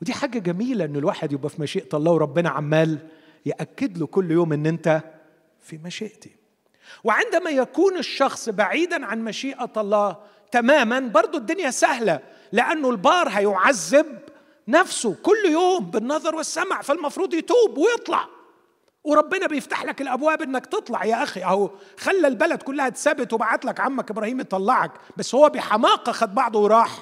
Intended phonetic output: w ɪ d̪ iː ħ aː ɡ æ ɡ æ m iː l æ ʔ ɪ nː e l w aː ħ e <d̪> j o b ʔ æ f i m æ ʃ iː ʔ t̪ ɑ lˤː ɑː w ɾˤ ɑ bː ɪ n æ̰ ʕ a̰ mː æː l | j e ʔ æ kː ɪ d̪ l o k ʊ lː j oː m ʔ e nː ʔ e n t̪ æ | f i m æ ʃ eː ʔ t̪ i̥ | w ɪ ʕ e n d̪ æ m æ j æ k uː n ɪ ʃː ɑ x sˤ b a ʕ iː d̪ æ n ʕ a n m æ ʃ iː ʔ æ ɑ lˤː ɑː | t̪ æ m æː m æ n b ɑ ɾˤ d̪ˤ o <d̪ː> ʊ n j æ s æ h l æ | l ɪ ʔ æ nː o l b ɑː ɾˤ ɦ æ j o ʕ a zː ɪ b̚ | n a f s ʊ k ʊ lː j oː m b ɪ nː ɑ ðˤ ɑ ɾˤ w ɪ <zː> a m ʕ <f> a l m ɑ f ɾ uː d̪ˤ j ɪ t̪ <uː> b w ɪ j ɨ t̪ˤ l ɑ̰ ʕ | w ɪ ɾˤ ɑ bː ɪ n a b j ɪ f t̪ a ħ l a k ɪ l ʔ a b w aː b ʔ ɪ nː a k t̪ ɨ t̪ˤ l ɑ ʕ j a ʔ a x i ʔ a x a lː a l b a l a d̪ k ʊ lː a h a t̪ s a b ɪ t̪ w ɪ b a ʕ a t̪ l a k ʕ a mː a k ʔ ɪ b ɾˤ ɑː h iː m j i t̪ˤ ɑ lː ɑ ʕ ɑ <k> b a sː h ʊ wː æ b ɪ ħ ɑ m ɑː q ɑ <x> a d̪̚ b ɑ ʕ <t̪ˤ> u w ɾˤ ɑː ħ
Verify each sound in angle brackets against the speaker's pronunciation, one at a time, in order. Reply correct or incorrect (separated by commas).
correct, correct, incorrect, correct, correct, correct, correct, incorrect